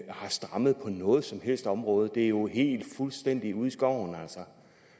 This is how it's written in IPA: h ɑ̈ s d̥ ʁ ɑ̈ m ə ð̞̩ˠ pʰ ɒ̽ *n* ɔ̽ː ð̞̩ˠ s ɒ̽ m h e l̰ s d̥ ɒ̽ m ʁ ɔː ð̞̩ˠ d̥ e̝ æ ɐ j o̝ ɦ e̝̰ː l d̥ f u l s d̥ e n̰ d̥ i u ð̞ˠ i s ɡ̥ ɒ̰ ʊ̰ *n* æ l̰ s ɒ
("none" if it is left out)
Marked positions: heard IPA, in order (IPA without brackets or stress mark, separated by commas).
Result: n, n